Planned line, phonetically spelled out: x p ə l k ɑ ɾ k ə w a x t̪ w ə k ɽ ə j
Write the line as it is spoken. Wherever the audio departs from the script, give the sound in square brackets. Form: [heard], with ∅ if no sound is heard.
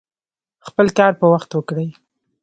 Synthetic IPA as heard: x p ə l k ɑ ɾ [p] ə w a x t̪ w ə k ɽ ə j